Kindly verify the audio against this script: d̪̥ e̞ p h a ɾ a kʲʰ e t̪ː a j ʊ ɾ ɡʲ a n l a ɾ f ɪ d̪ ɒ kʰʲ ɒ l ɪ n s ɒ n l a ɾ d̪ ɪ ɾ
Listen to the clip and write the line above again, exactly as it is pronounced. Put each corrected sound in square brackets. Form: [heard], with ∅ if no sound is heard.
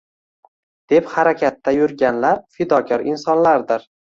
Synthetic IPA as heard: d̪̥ e̞ p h a ɾ a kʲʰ [a] t̪ː a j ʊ ɾ ɡʲ a n l a ɾ f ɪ d̪ ɒ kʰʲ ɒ [ɾ] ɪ n s ɒ n l a ɾ d̪ ɪ ɾ